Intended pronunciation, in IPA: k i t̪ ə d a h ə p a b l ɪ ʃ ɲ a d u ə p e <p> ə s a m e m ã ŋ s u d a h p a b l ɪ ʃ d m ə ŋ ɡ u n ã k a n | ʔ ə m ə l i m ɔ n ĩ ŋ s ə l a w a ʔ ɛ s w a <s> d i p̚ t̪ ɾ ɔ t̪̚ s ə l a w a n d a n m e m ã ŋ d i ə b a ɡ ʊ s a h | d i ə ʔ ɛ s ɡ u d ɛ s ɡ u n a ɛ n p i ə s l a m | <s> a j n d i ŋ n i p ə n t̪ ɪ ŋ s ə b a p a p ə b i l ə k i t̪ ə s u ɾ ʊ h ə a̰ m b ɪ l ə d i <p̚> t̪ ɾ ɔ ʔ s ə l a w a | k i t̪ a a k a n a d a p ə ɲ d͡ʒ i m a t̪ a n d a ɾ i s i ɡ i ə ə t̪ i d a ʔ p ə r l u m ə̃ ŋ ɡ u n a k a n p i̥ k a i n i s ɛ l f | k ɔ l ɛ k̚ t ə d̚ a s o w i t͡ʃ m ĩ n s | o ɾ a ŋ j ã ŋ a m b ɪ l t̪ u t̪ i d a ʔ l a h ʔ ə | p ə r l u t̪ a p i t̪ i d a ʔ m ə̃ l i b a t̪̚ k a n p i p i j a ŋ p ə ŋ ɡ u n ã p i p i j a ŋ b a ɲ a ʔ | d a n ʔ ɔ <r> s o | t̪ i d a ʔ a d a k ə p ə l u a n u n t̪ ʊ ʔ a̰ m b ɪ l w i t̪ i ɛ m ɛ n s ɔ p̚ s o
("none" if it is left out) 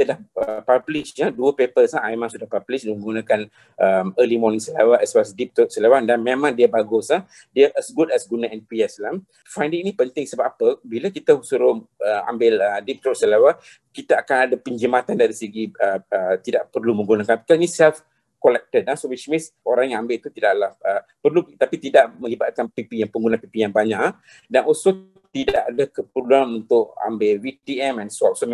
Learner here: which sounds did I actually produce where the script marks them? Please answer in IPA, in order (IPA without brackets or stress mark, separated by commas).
p, s, f, p̚, l